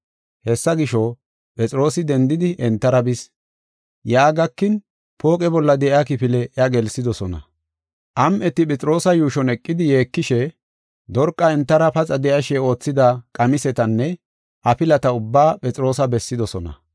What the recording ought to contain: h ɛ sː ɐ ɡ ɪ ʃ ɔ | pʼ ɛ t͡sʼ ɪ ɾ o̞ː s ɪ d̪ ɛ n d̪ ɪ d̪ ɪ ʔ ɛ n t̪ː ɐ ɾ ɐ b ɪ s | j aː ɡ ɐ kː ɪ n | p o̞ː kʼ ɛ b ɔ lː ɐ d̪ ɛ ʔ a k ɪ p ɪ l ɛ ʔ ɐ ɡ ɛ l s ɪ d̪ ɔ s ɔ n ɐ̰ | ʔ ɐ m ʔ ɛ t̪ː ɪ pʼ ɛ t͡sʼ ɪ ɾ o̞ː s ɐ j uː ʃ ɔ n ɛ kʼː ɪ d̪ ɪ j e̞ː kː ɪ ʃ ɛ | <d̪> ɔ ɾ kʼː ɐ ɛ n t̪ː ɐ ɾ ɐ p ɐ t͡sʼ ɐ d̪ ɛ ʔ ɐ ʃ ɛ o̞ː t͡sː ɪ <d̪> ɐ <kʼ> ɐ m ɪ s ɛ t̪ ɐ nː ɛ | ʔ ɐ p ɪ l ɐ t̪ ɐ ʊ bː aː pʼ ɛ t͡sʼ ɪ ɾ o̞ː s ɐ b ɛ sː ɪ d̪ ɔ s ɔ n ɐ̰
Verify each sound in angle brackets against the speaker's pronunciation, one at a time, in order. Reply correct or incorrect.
correct, correct, correct

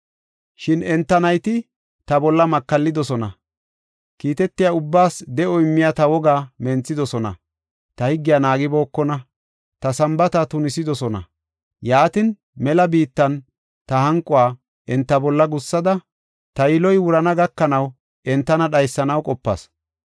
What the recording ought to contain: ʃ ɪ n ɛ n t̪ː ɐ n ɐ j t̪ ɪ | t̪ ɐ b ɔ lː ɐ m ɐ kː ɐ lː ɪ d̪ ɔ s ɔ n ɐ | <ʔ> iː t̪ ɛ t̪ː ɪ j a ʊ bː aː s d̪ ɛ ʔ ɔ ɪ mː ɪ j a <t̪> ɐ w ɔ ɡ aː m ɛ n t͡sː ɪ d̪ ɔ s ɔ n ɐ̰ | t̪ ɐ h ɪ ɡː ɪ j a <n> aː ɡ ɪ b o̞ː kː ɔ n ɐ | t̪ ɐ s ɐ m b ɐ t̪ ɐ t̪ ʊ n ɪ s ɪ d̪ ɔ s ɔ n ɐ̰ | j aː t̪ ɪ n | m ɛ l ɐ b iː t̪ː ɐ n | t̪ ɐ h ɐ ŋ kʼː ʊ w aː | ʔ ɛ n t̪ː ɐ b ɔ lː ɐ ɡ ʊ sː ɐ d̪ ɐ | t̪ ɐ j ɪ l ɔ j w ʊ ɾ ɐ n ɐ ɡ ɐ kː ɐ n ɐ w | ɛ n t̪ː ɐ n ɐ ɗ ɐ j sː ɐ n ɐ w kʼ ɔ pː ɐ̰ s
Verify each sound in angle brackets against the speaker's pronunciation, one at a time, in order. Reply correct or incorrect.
incorrect: k, correct, correct

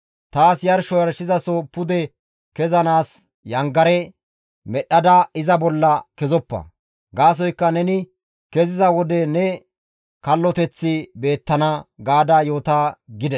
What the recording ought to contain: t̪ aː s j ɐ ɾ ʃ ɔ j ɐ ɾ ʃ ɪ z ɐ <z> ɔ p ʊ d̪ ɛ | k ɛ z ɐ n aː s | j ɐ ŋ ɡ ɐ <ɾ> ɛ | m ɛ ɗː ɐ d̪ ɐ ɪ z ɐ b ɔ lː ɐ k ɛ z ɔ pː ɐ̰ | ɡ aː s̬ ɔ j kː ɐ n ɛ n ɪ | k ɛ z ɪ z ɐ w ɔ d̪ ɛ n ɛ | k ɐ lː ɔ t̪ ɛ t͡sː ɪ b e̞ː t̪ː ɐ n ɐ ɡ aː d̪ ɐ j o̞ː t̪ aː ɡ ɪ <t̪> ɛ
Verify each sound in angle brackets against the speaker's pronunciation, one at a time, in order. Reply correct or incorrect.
incorrect: s, correct, incorrect: d̪

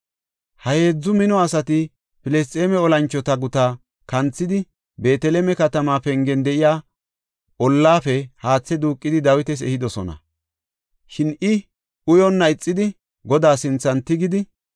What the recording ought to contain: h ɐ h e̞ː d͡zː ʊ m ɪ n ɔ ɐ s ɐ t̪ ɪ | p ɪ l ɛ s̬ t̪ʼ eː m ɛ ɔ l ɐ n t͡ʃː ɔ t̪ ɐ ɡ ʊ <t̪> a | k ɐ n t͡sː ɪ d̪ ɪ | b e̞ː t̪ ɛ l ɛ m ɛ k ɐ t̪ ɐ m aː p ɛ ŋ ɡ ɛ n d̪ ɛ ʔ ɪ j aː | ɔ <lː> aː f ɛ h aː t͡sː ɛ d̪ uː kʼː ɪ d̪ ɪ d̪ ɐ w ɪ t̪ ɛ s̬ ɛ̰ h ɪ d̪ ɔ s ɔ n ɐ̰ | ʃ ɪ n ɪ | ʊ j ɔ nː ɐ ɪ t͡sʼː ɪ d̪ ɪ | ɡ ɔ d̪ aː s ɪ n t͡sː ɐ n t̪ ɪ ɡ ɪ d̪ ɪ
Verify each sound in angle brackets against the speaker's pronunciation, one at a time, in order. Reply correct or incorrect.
correct, correct

